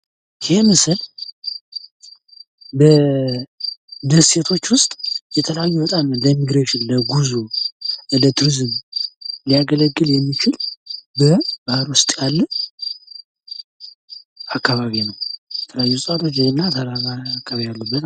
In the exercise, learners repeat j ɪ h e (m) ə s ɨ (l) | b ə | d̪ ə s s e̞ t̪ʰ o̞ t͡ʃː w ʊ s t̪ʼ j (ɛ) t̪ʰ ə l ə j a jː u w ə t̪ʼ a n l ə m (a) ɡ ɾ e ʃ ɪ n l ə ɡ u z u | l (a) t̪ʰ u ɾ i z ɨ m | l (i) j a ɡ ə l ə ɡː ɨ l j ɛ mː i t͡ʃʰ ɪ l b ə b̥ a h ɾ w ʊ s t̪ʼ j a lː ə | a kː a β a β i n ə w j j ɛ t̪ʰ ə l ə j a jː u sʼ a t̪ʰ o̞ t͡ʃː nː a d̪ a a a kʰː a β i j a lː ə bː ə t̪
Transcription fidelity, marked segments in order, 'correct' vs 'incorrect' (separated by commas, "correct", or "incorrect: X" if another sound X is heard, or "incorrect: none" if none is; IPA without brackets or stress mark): correct, correct, correct, incorrect: i, incorrect: ə, correct